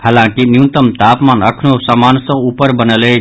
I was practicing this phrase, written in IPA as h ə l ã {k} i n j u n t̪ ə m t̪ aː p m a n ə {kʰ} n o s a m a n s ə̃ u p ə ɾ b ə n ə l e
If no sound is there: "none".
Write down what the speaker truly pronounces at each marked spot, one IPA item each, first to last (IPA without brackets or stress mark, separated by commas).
k, kʰ